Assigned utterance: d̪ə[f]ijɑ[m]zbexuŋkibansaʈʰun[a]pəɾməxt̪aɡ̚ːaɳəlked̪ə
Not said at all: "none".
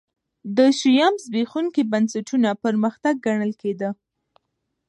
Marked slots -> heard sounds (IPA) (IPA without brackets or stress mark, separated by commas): ʃ, m, a